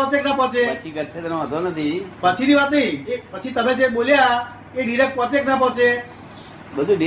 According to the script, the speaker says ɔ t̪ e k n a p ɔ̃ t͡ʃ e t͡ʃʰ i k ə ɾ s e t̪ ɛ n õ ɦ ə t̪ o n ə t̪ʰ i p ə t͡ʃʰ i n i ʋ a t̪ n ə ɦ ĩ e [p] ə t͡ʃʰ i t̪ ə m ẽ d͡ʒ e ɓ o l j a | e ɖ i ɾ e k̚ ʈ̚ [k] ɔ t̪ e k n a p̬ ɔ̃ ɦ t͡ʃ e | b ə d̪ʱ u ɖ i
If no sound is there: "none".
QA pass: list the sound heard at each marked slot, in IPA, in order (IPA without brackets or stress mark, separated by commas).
p, p